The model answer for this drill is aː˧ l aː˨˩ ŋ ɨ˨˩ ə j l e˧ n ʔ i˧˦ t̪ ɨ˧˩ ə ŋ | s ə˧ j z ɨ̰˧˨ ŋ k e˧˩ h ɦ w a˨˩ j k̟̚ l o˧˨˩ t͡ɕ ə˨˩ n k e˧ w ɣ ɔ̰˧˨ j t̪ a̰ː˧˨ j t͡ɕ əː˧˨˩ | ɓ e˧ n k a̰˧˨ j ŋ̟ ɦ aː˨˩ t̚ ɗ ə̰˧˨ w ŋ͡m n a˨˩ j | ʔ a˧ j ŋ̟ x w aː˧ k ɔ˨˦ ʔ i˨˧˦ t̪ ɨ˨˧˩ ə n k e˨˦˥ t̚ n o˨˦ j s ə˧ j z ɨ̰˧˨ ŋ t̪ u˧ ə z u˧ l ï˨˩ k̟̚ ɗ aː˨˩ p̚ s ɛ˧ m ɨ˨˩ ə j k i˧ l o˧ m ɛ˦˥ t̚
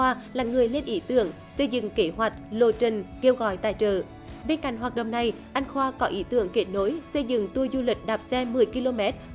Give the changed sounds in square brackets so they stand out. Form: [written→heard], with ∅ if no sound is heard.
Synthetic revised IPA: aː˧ l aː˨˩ ŋ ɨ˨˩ ə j l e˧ n ʔ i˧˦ t̪ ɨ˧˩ ə ŋ | s ə˧ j z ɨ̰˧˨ ŋ k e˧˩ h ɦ w a˨˩ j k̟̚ l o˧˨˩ t͡ɕ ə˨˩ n k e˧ w ɣ ɔ̰˧˨ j t̪ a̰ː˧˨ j t͡ɕ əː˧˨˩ | ɓ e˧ n k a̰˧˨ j ŋ̟ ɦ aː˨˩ t̚ ɗ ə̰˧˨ w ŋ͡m n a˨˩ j | ʔ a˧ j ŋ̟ x w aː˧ k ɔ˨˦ ʔ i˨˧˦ t̪ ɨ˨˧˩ ə [n→ŋ] k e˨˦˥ t̚ n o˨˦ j s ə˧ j z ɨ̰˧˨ ŋ t̪ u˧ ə z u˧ l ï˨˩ k̟̚ ɗ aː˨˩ p̚ s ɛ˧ m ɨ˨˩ ə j k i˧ l o˧ m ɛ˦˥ t̚